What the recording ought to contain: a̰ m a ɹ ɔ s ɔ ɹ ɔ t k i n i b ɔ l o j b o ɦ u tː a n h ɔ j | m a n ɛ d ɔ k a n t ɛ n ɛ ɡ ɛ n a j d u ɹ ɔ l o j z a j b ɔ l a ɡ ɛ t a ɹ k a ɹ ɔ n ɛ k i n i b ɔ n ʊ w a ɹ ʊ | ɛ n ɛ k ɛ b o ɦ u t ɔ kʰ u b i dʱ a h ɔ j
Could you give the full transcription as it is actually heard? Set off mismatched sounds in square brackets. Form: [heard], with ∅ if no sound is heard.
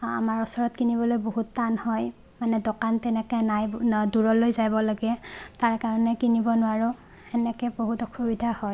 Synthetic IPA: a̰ m a ɹ ɔ s ɔ ɹ ɔ t k i n i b ɔ l o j b o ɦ u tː a n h ɔ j | m a n ɛ d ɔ k a n t ɛ n ɛ [k] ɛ n a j d u ɹ ɔ l o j z a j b ɔ l a ɡ ɛ t a ɹ k a ɹ ɔ n ɛ k i n i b ɔ n ʊ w a ɹ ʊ | ɛ n ɛ k ɛ b o ɦ u t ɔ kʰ u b i dʱ a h ɔ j